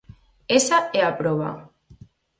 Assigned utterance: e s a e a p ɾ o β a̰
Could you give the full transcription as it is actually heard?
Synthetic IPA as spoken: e s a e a p ɾ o β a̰